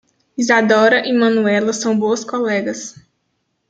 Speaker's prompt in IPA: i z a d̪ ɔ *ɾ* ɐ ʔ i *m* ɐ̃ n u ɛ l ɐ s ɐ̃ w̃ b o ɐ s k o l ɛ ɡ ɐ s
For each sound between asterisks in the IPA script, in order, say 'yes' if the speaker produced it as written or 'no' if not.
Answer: yes, yes

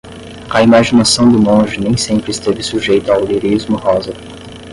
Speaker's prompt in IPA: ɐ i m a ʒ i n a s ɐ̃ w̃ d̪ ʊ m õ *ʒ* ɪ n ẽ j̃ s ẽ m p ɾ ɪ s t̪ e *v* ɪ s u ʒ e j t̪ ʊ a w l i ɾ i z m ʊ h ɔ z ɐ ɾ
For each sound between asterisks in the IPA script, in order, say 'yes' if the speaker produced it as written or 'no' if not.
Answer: yes, yes

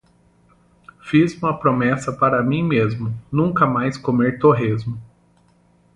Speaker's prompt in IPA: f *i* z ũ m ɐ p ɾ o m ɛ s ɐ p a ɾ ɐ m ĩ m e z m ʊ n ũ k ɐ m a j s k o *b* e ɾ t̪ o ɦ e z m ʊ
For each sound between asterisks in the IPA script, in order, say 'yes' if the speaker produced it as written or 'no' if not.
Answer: yes, no

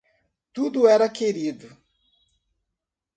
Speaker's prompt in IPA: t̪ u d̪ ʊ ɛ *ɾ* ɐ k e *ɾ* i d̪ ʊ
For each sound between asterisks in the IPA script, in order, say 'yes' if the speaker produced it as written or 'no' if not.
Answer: yes, yes

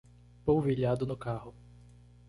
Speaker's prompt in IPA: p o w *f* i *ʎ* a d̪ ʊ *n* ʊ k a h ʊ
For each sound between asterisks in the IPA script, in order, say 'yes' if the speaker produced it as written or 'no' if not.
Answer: no, yes, yes

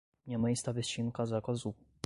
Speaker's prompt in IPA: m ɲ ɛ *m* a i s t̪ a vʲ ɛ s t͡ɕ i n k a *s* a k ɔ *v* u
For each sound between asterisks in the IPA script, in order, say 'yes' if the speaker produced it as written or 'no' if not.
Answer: yes, no, no

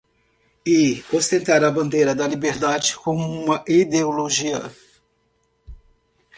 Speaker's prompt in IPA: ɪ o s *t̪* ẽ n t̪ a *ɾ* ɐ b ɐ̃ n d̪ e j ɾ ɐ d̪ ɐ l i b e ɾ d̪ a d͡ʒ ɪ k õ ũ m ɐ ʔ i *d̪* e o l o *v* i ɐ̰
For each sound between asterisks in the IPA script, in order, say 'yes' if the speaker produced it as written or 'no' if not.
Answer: yes, yes, yes, no

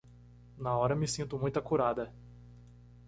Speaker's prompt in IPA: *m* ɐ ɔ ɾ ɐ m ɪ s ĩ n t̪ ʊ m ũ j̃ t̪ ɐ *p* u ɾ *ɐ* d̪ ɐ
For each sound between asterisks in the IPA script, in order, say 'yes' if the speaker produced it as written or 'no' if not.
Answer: no, no, no

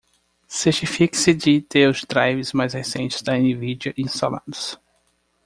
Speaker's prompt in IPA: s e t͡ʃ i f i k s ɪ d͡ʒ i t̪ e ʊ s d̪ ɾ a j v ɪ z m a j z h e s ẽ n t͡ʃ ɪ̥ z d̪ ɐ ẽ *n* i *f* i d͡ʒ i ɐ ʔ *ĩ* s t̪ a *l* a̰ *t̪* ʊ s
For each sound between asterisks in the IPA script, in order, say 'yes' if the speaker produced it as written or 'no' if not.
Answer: yes, no, yes, yes, no

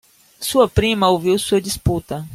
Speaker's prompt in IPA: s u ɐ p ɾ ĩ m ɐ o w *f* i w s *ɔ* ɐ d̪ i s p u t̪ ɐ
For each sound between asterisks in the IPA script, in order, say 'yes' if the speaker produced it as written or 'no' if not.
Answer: no, no

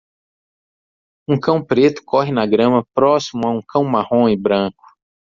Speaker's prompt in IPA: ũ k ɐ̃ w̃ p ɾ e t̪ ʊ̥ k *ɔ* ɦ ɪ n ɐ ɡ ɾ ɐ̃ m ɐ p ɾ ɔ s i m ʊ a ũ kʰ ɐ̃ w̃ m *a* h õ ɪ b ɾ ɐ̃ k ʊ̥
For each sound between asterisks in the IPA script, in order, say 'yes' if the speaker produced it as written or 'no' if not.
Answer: yes, yes

